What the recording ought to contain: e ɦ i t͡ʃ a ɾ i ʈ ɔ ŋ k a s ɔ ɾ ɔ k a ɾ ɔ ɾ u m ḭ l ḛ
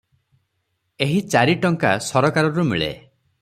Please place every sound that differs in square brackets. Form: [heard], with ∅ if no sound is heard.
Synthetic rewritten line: e ɦ i t͡ʃ a ɾ i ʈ ɔ ŋ k a s ɔ ɾ ɔ k a ɾ ɔ ɾ u m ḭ [ɭ] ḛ